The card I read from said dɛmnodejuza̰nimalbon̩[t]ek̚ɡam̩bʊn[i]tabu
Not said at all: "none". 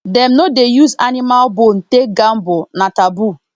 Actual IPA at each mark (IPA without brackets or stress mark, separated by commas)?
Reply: t, a